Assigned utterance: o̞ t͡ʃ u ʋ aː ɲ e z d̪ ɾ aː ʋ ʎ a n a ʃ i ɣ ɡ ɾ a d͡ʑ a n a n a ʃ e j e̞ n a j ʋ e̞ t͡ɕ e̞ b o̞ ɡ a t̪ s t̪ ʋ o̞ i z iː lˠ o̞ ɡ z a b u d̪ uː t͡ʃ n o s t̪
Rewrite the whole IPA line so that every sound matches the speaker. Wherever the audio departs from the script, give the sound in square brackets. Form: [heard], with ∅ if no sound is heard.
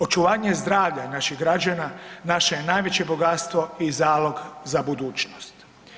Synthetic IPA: o̞ t͡ʃ u ʋ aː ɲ e z d̪ ɾ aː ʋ ʎ a n a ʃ i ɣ ɡ ɾ a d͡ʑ a n a n a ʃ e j e̞ n a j ʋ e̞ t͡ɕ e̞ b o̞ ɡ a t̪ s t̪ ʋ o̞ i z [aː] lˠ o̞ ɡ z a b u d̪ uː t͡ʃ n o s t̪